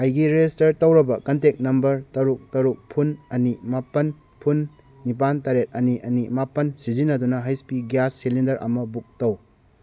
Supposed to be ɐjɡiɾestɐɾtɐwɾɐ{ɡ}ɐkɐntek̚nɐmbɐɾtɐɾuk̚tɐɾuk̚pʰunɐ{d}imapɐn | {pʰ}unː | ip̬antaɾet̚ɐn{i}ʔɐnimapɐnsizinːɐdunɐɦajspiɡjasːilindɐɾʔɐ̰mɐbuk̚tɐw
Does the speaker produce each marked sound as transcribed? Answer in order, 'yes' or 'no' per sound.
no, no, yes, yes

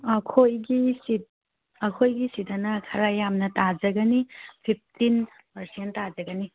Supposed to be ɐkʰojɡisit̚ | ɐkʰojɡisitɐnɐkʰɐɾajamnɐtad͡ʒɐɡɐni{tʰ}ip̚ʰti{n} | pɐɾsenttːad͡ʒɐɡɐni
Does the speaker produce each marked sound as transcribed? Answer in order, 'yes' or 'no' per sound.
no, yes

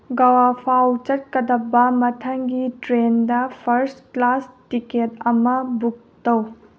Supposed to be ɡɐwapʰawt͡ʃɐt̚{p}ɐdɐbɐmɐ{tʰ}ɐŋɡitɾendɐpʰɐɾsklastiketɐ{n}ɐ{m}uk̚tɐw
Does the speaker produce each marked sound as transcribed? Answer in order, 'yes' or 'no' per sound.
no, yes, no, no

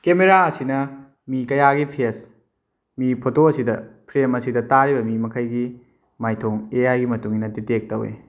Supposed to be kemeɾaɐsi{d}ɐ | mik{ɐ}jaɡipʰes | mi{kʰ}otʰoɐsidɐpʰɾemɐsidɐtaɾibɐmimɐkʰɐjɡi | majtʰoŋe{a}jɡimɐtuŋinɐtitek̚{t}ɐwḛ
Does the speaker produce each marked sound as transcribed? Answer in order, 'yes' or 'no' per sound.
no, yes, no, yes, yes

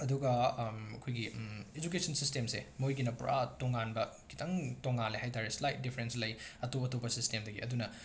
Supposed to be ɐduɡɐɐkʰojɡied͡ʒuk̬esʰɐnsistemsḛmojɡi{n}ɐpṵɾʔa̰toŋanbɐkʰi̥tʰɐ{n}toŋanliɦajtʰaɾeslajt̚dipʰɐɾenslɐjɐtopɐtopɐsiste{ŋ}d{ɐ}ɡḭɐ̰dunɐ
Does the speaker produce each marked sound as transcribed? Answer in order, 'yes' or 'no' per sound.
yes, no, no, yes

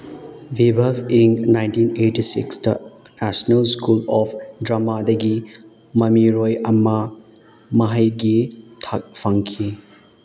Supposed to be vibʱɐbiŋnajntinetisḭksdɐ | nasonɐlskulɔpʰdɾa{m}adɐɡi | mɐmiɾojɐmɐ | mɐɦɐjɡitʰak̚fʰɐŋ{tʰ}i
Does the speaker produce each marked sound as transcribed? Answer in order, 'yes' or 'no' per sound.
yes, no

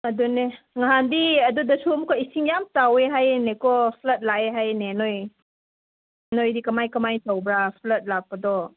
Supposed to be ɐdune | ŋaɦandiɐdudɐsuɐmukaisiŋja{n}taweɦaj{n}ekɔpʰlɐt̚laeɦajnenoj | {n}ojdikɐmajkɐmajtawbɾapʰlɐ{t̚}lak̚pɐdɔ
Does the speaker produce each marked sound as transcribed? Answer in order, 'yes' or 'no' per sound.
no, yes, yes, yes

